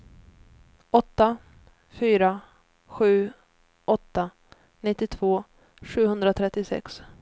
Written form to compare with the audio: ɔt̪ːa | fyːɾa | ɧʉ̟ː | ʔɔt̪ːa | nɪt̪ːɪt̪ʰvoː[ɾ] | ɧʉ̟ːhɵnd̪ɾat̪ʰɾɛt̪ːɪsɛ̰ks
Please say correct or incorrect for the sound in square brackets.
incorrect